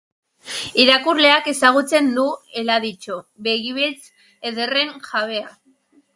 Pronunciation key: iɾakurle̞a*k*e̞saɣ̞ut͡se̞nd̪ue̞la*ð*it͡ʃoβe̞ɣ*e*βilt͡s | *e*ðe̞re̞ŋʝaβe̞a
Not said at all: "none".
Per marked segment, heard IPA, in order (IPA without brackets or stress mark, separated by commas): k, ð, i, e